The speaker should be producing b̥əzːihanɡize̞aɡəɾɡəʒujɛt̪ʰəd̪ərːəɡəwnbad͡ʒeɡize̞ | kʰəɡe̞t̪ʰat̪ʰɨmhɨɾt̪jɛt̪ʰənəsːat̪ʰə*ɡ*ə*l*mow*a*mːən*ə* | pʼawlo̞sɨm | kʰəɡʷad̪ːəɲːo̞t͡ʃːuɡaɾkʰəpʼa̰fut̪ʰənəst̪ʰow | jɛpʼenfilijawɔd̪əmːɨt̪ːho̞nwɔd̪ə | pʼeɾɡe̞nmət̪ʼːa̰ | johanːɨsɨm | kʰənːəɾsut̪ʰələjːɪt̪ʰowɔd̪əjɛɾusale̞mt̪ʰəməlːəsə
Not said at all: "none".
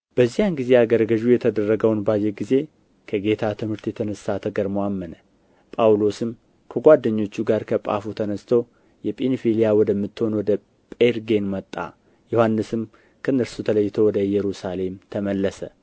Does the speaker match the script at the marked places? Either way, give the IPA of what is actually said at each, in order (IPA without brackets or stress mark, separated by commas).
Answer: ɡ, ɾ, a, ə